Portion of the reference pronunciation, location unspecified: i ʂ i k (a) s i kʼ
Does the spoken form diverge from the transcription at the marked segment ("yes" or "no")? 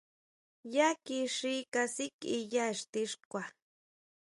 no